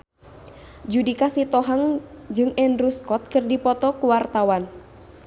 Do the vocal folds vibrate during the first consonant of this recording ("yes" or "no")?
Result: yes